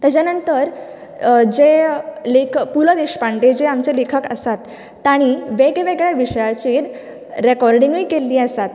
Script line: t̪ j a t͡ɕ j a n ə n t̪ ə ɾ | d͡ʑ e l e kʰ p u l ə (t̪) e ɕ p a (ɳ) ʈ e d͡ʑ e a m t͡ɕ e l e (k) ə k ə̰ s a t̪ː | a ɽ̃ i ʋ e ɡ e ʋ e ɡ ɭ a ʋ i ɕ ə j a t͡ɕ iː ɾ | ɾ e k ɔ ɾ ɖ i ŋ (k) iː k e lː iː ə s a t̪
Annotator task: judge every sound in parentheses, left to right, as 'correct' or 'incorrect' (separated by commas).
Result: incorrect, correct, incorrect, incorrect